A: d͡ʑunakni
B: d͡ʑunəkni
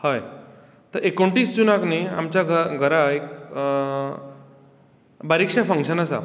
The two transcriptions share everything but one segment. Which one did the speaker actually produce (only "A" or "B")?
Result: A